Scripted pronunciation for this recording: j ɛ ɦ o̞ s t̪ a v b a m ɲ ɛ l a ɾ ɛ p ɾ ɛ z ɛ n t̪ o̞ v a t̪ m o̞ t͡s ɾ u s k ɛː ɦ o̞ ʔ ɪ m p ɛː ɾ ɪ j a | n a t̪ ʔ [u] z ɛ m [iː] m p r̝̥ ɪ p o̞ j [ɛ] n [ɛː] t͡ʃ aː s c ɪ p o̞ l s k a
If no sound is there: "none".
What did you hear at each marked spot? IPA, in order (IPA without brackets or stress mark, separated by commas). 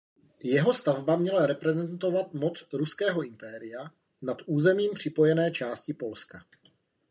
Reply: uː, iː, ɛ, ɛː